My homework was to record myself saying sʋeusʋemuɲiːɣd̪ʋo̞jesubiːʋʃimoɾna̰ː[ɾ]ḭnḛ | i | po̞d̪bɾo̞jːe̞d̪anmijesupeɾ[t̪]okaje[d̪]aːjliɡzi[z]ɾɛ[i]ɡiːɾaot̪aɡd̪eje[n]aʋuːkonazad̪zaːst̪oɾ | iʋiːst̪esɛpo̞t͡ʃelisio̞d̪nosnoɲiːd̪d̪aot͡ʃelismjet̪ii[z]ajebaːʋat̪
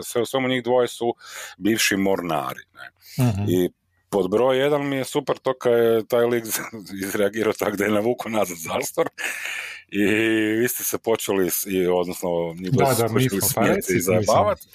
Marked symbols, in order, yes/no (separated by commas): yes, yes, no, yes, no, yes, yes